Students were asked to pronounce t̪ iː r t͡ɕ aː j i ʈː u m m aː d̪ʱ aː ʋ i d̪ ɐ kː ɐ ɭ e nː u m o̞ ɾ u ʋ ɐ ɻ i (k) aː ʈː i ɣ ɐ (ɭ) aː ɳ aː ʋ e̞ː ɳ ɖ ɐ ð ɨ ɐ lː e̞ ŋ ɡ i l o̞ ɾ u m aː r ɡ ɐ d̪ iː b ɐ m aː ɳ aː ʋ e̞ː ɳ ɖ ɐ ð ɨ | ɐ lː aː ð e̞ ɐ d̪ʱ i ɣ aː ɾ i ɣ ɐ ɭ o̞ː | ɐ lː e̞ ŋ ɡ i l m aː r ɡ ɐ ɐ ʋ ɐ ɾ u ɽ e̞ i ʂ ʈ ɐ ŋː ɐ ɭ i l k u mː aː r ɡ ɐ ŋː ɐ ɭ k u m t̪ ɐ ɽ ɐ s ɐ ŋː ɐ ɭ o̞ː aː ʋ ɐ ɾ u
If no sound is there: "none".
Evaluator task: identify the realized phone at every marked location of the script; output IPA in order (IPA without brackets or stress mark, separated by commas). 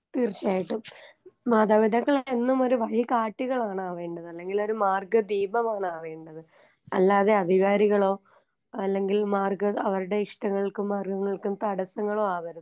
k, ɭ